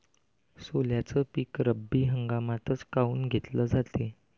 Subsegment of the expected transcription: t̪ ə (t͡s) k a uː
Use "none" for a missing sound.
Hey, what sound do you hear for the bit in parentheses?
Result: t͡s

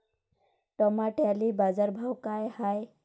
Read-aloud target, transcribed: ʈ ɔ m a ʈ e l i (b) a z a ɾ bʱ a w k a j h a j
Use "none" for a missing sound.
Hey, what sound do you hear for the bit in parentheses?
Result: b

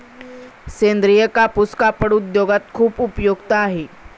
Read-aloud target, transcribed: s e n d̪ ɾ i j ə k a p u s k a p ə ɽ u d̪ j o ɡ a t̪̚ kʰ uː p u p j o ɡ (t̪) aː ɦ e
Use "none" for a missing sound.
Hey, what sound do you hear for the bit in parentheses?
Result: t̪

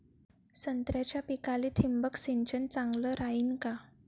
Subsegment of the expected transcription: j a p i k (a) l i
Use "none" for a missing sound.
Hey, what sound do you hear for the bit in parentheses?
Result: a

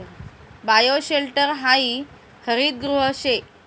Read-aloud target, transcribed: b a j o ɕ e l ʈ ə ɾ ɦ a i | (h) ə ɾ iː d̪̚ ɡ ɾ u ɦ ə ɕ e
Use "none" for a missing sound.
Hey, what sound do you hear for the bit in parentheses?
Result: h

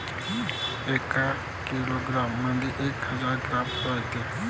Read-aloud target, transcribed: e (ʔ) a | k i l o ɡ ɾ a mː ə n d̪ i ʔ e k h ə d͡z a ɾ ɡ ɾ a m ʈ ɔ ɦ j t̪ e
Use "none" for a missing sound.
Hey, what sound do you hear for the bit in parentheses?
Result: k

